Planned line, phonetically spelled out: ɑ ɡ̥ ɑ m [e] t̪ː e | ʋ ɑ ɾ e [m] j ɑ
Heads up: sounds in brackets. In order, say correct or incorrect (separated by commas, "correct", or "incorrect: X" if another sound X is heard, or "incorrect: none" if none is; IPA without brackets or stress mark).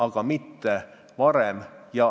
incorrect: i, correct